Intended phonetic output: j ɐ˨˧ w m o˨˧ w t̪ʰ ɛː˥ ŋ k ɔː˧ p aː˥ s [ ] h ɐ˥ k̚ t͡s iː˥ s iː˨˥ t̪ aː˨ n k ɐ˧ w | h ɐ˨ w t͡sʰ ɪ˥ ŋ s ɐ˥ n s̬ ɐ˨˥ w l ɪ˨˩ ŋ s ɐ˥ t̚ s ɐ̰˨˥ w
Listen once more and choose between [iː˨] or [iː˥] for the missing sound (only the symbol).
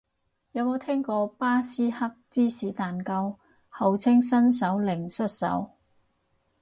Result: iː˥